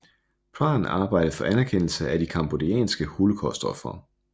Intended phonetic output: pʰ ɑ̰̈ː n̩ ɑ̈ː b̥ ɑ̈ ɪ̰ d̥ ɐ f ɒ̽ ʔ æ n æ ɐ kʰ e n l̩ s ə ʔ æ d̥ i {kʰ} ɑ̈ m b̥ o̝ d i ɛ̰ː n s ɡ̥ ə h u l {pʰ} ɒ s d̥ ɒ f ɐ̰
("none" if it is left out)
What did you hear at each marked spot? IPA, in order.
kʰ, kʰ

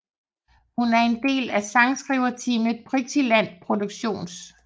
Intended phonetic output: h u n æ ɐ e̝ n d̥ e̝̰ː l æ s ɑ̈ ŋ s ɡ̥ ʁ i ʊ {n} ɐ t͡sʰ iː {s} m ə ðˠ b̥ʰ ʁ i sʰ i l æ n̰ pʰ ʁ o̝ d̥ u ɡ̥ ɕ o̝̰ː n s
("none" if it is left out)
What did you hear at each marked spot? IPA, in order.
none, none

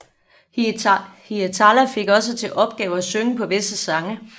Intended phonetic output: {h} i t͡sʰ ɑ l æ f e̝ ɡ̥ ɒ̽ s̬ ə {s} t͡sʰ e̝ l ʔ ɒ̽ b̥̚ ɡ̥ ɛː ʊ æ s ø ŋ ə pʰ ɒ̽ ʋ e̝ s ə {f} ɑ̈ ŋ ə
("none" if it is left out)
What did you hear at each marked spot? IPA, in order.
h, none, s

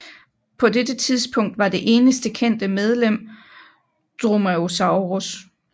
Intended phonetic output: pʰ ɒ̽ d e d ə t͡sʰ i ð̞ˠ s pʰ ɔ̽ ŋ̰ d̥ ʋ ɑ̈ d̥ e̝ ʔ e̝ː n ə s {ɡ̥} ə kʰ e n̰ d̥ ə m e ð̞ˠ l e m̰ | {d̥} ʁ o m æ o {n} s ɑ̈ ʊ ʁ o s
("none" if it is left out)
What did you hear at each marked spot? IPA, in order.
d̥, d̥, none

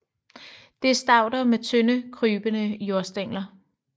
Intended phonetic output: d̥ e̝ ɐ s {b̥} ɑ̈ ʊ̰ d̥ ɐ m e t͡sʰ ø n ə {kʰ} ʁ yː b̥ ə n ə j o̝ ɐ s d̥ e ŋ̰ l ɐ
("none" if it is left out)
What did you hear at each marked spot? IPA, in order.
d̥, kʰ

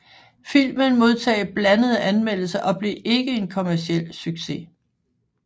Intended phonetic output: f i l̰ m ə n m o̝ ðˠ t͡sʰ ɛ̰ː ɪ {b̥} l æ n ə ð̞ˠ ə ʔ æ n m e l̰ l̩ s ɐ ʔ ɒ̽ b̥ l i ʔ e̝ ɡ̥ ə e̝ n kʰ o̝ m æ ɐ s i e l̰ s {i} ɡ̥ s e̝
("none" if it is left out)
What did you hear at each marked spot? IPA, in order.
b̥, y

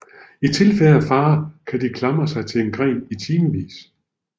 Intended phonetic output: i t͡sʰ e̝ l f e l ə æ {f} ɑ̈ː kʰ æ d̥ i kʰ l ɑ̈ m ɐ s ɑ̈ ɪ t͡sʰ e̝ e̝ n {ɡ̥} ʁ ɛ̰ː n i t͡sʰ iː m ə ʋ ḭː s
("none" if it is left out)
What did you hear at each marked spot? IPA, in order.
f, ɡ̥

